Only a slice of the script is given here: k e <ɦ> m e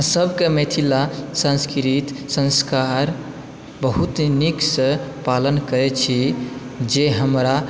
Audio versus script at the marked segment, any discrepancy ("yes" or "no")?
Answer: yes